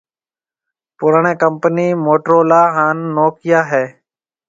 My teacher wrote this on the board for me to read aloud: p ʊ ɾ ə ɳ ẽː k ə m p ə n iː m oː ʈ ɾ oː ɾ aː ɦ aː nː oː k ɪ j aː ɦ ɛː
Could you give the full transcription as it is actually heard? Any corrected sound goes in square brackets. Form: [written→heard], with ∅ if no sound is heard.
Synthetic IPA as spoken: p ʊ ɾ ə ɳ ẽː k ə m p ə n iː m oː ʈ ɾ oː [ɾ→l] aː ɦ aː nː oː k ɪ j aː ɦ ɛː